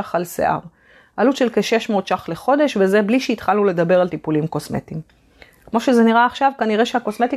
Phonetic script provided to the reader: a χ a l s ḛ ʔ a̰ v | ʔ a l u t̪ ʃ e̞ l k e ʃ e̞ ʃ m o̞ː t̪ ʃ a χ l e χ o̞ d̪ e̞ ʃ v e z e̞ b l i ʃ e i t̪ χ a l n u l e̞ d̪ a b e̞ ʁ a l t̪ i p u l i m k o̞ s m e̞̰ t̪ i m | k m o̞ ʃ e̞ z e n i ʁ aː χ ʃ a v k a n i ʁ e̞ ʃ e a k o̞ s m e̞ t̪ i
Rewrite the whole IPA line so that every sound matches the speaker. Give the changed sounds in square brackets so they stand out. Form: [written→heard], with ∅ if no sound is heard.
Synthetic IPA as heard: a χ a l s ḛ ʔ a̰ [v→ʁ] | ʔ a l u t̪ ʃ e̞ l k e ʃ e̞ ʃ m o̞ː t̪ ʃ a χ l e χ o̞ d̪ e̞ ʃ v e z e̞ b l i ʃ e i t̪ χ a l n u l e̞ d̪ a b e̞ ʁ a l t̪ i p u l i m k o̞ s m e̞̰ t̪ i m | k m o̞ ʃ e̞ z e n i ʁ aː χ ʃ a v k a n i ʁ e̞ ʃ e a k o̞ s m e̞ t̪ i